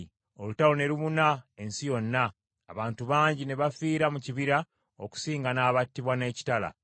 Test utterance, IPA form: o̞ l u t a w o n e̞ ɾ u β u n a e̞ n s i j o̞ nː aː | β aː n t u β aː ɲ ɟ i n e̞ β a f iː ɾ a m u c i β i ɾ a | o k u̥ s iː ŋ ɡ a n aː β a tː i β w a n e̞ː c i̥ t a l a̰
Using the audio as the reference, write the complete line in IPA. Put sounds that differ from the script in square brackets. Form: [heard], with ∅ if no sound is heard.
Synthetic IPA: o̞ l u t a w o n e̞ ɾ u β u n a e̞ n s i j o̞ nː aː | β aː n t u β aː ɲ ɟ i n e̞ β a f iː ɾ a m u c i β i ɾ a | o k u̥ s iː ŋ ɡ a n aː β a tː i β w a n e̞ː c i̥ t a l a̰